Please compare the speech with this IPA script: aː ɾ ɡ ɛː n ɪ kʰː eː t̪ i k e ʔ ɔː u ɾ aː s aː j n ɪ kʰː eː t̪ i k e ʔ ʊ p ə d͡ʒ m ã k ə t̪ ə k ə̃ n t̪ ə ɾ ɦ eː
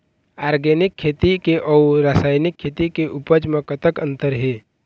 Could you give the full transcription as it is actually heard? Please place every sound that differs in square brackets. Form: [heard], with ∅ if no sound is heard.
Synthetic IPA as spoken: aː ɾ ɡ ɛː n ɪ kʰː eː t̪ i k e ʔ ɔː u ɾ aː s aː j n ɪ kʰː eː t̪ i k e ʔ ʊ p ə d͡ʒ m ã k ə t̪ ə k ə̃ n t̪ ə ɾ ɦ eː